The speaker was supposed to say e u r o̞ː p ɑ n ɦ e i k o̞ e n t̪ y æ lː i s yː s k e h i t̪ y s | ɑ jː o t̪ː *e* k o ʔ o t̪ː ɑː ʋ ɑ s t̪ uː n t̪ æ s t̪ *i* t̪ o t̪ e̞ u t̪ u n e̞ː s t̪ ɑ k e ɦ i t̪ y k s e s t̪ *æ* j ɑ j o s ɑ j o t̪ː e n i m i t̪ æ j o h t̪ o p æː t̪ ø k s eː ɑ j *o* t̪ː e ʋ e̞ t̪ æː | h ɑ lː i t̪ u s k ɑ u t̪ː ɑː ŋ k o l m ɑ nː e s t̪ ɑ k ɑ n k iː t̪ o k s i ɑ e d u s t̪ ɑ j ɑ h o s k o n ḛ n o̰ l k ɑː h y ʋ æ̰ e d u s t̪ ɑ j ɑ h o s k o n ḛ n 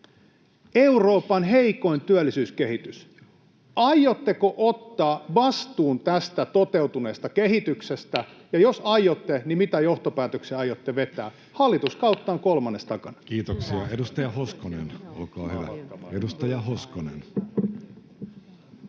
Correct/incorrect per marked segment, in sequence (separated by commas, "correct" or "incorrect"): correct, incorrect, correct, correct